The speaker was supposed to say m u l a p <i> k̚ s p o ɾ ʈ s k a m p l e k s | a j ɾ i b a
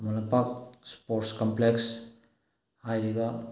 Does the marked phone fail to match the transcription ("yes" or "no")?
yes